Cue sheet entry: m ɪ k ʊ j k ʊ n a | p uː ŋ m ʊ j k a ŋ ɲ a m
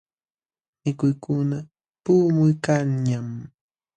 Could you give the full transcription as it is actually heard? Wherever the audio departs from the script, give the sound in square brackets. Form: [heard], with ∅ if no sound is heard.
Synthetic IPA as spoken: m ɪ k ʊ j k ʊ n a | p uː [∅] m ʊ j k a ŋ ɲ a m